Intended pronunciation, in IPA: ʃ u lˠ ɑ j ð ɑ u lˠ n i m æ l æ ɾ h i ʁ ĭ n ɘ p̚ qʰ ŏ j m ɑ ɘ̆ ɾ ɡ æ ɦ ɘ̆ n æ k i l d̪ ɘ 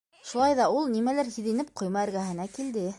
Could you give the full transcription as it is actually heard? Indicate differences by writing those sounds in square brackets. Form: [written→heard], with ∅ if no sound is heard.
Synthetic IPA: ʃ u lˠ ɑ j ð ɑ u lˠ n i m æ l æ ɾ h i [ʁ→ð] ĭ n ɘ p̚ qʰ ŏ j m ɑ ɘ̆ ɾ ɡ æ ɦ ɘ̆ n æ k i l d̪ ɘ